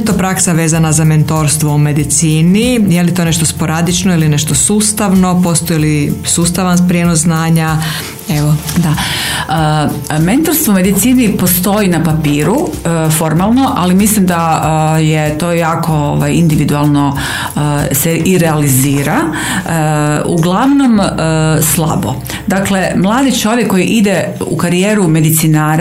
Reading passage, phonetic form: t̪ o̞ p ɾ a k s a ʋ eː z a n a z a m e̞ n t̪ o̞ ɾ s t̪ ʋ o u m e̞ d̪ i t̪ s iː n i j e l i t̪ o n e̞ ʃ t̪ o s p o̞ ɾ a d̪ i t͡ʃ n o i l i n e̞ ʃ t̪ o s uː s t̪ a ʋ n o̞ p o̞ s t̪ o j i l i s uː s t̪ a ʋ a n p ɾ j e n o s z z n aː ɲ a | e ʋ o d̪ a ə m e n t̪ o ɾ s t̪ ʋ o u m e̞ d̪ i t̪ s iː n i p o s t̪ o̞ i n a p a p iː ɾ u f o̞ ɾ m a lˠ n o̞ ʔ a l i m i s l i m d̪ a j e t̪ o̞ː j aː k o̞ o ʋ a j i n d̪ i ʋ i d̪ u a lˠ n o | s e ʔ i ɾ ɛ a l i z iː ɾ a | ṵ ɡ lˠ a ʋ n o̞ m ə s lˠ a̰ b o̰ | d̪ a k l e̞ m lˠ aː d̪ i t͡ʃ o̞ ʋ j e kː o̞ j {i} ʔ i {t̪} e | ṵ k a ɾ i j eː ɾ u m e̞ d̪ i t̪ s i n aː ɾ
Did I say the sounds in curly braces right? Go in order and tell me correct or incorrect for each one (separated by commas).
correct, incorrect